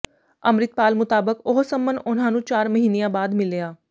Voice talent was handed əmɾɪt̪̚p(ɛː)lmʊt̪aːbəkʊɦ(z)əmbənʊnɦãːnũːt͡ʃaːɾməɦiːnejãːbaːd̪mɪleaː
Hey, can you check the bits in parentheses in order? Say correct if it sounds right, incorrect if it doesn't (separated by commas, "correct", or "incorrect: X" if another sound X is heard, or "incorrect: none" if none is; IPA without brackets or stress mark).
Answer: incorrect: aː, incorrect: s